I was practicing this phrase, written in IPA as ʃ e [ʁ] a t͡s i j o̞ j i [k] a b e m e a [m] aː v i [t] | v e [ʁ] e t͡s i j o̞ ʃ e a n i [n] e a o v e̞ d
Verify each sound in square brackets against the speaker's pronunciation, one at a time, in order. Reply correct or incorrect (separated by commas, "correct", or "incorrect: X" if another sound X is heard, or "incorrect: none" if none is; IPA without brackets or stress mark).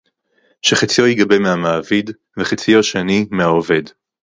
incorrect: χ, incorrect: ɡ, correct, incorrect: d, incorrect: χ, incorrect: m